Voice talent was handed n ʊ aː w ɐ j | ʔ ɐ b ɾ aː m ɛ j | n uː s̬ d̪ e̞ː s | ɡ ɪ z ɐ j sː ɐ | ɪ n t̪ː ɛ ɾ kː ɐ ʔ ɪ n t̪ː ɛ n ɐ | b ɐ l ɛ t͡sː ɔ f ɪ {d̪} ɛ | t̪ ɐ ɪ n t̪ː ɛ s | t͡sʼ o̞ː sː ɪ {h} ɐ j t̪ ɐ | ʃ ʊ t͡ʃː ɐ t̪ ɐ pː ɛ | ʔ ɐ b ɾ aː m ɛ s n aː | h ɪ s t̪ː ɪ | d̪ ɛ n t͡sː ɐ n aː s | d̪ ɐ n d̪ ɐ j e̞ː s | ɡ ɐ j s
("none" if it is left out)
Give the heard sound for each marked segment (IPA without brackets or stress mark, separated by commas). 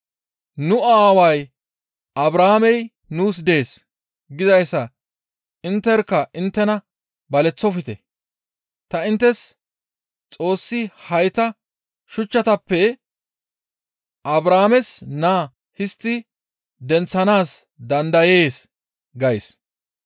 t̪, h